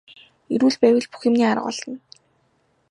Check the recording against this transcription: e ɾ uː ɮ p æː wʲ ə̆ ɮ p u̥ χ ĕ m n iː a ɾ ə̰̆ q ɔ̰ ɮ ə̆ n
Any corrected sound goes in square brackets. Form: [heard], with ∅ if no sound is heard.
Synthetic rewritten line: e ɾ uː ɮ p æː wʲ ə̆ ɮ p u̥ [x] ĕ m n iː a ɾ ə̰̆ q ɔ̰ ɮ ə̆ n